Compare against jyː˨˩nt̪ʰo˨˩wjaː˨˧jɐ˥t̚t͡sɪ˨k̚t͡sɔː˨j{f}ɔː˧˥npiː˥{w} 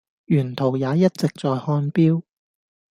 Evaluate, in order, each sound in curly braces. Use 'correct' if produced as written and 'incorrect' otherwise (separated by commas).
incorrect, correct